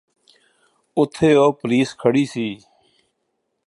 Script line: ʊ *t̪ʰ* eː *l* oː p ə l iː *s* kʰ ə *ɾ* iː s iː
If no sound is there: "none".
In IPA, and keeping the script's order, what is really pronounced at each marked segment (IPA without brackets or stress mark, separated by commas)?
t̪ʰ, none, s, ɽ